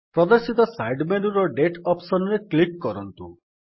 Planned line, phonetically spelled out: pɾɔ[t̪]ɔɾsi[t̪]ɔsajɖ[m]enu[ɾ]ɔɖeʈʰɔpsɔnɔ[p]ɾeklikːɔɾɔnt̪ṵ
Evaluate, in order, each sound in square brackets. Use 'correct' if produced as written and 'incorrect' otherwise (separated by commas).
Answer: incorrect, correct, correct, correct, incorrect